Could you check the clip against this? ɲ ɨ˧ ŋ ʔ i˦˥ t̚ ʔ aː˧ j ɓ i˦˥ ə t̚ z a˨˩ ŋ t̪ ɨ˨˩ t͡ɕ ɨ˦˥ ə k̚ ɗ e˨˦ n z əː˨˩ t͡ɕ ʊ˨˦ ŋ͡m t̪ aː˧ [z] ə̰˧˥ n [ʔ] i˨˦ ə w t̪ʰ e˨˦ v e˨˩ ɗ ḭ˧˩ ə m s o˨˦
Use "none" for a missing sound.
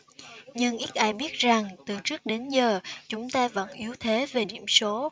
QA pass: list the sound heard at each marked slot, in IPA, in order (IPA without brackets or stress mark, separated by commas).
v, ʔ